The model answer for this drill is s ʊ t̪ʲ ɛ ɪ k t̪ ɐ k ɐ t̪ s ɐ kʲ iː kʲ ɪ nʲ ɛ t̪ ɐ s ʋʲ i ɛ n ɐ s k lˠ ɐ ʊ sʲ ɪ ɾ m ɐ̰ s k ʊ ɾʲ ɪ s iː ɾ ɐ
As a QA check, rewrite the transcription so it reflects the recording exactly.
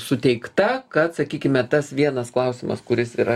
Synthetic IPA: s ʊ t̪ʲ ɛ ɪ k t̪ ɐ k ɐ t̪ s ɐ kʲ iː kʲ ɪ mʲ ɛ t̪ ɐ s ʋʲ i ɛ n ɐ s k lˠ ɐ ʊ sʲ ɪ m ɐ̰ s k ʊ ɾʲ ɪ s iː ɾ ɐ